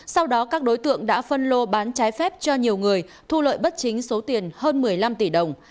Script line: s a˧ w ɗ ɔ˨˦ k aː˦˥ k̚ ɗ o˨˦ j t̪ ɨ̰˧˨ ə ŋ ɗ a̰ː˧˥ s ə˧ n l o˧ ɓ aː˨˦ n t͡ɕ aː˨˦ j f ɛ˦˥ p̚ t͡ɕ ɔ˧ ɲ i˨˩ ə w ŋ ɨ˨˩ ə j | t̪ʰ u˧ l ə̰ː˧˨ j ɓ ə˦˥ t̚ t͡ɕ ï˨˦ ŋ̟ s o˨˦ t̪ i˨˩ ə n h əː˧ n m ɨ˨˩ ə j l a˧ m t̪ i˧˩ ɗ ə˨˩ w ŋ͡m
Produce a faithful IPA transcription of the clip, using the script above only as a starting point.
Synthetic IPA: s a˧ w ɗ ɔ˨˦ k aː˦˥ k̚ ɗ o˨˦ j t̪ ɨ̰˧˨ ə ŋ ɗ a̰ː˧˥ f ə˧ n l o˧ ɓ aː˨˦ n t͡ɕ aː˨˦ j f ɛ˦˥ p̚ t͡ɕ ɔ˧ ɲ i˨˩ ə w ŋ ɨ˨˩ ə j | t̪ʰ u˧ l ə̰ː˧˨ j ɓ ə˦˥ t̚ t͡ɕ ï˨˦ ŋ̟ s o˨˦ t̪ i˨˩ ə n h əː˧ n m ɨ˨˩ ə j l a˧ m t̪ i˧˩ ɗ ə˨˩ w ŋ͡m